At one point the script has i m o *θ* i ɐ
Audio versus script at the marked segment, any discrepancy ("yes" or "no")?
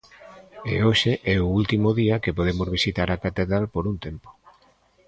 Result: yes